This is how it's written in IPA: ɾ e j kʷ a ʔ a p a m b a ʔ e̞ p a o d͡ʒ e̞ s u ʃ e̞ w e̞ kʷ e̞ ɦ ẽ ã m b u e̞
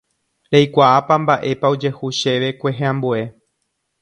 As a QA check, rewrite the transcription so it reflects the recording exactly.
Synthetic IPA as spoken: ɾ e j kʷ a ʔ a p a m b a ʔ e̞ p a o d͡ʒ e̞ h u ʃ e̞ ʋ e̞ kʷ e̞ ɦ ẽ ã m b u e̞